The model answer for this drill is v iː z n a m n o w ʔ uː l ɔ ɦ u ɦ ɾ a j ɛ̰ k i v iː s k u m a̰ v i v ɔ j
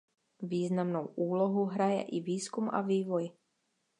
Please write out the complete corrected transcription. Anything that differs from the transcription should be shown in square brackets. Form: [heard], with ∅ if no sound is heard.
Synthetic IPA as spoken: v iː z n a m n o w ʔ uː l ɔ ɦ u ɦ ɾ a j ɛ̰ [ʔ] i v iː s k u m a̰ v [iː] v ɔ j